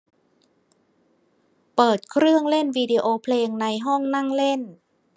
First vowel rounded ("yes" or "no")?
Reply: no